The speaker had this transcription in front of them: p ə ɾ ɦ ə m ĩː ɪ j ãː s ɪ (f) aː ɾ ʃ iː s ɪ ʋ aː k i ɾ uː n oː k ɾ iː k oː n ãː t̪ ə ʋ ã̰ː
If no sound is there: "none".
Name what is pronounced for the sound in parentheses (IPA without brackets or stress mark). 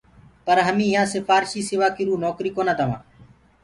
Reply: f